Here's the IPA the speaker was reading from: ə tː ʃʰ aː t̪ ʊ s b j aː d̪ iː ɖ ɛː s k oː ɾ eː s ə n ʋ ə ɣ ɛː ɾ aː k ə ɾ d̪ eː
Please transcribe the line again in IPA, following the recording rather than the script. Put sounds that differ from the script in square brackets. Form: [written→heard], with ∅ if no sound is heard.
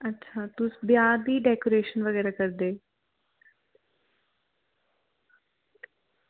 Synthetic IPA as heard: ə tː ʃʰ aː t̪ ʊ s b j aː d̪ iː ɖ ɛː [s→∅] k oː ɾ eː [s→ʃ] ə n ʋ ə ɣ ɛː ɾ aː k ə ɾ d̪ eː